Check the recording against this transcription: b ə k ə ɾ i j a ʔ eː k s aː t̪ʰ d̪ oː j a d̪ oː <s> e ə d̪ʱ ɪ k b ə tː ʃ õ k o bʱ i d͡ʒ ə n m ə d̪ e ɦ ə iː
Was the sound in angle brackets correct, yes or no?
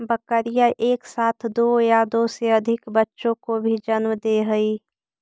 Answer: yes